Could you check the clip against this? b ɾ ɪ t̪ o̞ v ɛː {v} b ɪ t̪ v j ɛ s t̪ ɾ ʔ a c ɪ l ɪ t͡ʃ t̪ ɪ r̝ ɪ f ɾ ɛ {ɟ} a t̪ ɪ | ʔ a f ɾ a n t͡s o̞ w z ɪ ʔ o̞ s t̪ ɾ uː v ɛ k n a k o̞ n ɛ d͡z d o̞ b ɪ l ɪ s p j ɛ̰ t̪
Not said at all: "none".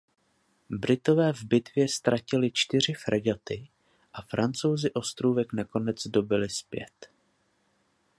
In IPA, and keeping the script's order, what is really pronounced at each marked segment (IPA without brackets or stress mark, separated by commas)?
v, ɟ